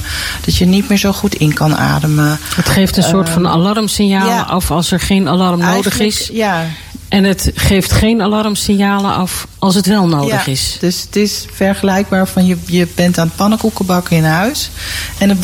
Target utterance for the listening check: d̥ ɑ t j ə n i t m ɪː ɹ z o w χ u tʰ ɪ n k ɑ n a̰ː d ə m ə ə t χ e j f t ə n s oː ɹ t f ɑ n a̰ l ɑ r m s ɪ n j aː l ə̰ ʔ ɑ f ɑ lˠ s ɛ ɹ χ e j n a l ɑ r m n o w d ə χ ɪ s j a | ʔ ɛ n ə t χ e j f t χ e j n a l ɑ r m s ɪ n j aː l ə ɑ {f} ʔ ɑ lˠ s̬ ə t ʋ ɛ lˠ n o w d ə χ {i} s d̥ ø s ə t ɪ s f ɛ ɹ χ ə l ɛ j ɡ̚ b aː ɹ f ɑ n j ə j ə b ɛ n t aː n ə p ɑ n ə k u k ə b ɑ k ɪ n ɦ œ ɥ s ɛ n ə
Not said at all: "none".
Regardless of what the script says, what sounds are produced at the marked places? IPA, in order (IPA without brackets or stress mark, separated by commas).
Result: f, ɪ